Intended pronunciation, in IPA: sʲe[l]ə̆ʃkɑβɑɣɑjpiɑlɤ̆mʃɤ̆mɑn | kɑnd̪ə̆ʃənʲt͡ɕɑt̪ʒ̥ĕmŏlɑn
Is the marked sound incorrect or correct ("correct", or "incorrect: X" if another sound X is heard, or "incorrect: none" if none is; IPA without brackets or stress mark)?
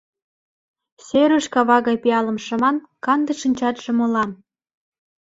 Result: incorrect: ɾ